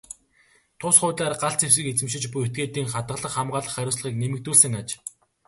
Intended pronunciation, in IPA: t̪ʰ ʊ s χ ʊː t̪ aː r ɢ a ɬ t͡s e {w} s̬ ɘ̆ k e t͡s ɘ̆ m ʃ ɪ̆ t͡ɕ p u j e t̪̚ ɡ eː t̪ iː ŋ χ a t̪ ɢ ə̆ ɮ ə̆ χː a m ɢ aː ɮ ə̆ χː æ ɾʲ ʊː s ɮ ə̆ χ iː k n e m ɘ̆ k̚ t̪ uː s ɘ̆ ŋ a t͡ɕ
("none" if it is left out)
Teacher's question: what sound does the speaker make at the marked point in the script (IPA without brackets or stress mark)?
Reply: w